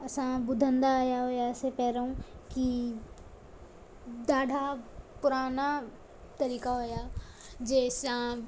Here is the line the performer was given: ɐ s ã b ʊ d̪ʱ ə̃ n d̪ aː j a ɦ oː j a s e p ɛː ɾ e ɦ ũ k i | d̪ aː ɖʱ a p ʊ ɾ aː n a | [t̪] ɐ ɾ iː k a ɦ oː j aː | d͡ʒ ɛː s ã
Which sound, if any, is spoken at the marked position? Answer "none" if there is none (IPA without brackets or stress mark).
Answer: t̪